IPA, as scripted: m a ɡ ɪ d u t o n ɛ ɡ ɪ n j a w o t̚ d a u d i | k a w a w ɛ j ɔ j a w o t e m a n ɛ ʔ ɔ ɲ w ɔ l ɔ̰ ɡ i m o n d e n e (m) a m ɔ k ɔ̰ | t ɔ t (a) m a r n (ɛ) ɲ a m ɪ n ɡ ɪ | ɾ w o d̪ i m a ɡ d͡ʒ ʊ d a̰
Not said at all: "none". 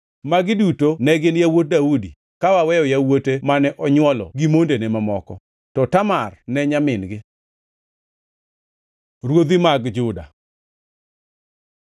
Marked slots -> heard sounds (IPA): m, a, ɛ

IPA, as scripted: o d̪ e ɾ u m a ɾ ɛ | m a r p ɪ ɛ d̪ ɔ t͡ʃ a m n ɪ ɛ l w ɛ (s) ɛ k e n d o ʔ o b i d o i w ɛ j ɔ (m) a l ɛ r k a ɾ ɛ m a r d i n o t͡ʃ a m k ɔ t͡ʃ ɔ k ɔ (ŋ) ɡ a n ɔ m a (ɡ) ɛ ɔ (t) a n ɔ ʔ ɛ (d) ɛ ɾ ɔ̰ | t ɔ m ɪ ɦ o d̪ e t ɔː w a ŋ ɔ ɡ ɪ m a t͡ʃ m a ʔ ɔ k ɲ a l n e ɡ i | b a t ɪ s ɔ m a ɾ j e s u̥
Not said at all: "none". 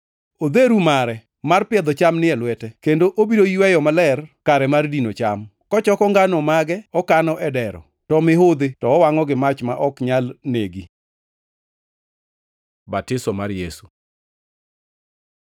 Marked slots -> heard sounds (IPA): t, m, ŋ, ɡ, k, d

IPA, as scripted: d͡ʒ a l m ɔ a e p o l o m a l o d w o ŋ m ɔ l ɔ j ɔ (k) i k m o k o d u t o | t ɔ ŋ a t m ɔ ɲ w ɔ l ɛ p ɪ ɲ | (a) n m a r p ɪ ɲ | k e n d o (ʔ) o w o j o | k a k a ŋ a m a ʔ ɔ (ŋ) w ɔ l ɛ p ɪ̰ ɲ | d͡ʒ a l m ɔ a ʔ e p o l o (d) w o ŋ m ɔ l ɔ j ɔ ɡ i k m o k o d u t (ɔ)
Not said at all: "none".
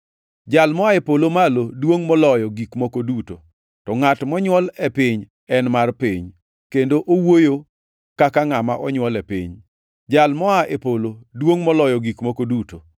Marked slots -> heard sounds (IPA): ɡ, ɛ, ʔ, ɲ, d, o

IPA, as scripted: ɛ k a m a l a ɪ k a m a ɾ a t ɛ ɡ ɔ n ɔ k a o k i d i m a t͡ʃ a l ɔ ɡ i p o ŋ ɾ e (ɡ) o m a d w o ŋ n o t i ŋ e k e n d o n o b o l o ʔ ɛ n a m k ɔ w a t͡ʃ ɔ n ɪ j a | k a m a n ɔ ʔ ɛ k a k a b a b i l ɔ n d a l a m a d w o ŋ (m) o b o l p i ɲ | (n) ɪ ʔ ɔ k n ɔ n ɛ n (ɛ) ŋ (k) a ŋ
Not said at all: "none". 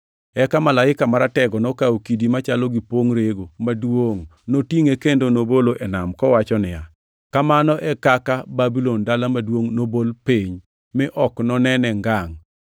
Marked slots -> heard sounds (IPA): ɡ, n, m, ɛ, ɡ

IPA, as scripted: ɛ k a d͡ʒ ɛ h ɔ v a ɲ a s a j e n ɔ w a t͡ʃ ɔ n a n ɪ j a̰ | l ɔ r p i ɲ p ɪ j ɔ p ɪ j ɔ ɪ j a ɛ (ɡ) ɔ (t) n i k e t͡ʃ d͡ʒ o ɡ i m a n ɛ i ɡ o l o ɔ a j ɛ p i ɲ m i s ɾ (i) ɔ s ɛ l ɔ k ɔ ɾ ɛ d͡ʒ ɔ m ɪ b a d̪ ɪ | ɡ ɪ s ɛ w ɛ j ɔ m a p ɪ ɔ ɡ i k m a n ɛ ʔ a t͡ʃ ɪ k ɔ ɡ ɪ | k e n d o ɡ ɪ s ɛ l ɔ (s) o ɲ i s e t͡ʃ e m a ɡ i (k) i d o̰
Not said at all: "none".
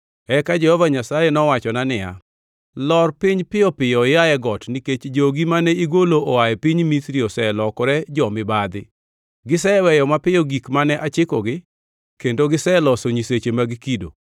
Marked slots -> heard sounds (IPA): ɡ, t, i, s, k

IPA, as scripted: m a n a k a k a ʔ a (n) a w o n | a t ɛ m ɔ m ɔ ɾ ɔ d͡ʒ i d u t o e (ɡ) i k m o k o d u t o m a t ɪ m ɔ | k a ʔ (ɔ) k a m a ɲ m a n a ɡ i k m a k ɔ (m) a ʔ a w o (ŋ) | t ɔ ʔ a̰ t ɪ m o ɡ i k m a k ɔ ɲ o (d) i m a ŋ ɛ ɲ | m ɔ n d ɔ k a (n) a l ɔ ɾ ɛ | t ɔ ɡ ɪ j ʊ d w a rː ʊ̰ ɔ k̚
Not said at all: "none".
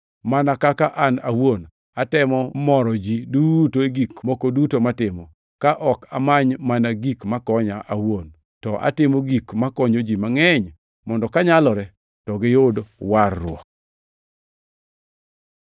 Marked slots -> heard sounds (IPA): n, ɡ, ɔ, ɲ, n, d͡ʒ, ɲ

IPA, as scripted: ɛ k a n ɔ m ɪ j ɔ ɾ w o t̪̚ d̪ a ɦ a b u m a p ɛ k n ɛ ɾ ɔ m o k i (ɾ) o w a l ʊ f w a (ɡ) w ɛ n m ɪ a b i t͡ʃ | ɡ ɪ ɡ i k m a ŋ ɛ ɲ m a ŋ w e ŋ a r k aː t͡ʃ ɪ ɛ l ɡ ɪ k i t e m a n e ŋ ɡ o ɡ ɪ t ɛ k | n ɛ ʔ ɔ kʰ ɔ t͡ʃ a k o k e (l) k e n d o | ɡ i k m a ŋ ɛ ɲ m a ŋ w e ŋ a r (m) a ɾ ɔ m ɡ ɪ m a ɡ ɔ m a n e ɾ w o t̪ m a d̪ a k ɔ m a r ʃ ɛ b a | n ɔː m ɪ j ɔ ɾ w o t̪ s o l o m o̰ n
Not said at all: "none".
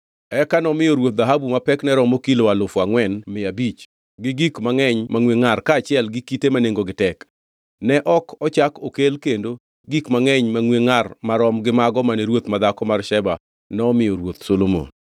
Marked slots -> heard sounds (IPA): l, ŋ, l, m

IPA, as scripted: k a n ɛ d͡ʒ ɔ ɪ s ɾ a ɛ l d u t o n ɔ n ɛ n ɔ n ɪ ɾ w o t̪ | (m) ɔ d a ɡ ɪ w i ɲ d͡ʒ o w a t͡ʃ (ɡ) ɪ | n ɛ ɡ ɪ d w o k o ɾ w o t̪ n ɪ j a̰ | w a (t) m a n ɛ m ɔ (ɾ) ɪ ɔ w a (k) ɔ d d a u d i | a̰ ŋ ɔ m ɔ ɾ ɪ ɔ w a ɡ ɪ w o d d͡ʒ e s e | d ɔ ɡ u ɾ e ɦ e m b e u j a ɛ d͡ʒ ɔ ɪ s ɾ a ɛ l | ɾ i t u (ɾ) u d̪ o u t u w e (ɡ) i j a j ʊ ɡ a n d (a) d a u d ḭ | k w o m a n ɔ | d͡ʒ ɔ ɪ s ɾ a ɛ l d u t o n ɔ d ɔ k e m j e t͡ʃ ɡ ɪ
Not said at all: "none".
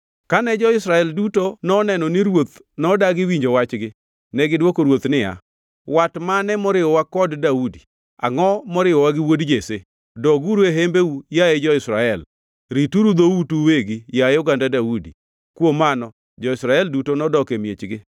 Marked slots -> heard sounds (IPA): n, ɡ, t, ɾ, k, ɾ, ɡ, a

